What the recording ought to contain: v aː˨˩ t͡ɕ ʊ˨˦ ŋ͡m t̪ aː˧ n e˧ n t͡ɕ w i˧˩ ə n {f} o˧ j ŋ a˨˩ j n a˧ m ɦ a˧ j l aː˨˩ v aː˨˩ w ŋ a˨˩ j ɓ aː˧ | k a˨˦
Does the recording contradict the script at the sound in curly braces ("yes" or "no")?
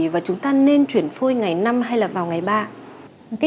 no